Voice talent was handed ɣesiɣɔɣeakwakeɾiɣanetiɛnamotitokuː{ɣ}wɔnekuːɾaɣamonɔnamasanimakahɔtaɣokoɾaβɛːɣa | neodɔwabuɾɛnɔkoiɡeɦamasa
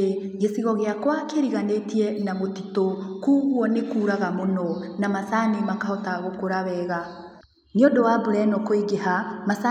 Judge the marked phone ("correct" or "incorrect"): correct